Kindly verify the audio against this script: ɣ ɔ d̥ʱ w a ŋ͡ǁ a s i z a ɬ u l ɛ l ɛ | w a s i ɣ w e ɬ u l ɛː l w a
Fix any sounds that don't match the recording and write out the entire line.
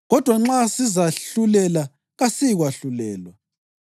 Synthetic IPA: ɣ ɔ d̥ʱ w a ŋ͡ǁ a s i z a ɬ u l ɛ l a | ɣ a s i ɣ w a ɬ u l ɛː l w a